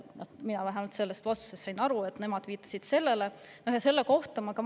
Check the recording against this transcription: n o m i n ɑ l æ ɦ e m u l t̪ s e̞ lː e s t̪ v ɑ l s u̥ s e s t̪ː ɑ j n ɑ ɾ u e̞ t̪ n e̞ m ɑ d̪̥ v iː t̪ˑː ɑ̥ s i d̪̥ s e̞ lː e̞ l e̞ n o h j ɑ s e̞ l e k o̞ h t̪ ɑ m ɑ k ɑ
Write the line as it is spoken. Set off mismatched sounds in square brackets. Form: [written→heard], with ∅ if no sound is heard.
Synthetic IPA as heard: n o m i n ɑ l æ ɦ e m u l t̪ s e̞ lː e s t̪ v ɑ [l→∅] s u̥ s e s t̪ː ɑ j n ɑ ɾ u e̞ t̪ n e̞ m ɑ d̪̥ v iː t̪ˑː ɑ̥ s i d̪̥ s e̞ lː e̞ l e̞ n o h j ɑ s e̞ [l→lː] e k o̞ h t̪ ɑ m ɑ k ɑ